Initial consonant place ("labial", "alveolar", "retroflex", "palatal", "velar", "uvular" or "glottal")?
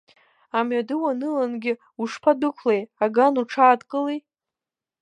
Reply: labial